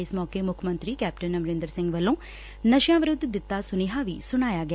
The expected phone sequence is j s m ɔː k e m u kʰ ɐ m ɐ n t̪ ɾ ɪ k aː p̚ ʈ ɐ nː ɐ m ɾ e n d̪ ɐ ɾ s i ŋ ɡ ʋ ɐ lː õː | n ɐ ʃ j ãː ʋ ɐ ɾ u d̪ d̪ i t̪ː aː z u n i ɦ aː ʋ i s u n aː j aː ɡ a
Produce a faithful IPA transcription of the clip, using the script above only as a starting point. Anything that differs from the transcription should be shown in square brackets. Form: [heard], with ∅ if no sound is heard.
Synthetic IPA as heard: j s m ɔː k e m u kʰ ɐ m ɐ n t̪ ɾ [i] k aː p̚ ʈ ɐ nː ɐ m ɾ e n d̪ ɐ ɾ s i ŋ ɡ ʋ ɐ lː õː | n ɐ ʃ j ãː ʋ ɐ ɾ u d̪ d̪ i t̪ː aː [s] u n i ɦ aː ʋ i s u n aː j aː ɡ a